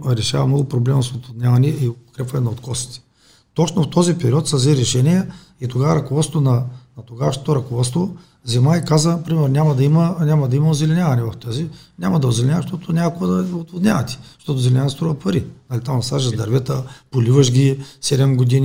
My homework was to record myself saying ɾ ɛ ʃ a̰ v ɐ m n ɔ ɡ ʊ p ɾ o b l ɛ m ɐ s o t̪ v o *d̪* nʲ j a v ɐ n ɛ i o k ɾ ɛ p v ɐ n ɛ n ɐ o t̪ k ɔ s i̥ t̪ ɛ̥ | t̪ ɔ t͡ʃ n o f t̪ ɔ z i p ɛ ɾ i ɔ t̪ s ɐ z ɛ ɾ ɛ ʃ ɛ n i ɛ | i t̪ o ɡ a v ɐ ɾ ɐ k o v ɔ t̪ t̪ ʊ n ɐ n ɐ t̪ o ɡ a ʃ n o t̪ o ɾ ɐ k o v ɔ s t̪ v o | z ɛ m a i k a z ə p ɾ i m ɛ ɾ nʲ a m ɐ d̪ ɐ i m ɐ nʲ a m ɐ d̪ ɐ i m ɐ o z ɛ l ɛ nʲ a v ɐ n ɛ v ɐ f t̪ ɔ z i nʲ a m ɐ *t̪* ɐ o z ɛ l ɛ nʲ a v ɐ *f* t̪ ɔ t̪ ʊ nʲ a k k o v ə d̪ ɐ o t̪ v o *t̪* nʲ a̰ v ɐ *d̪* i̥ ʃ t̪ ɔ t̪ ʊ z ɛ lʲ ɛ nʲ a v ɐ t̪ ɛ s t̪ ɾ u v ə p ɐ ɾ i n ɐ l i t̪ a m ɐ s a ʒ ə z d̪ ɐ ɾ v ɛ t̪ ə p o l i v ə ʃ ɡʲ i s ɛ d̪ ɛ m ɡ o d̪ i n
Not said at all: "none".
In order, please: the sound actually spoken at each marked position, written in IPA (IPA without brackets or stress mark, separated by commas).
d̪, d̪, ʃ, d̪, t̪